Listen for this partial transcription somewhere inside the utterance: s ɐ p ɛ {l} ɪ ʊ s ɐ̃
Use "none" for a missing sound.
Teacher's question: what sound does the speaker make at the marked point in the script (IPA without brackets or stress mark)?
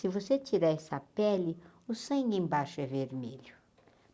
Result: l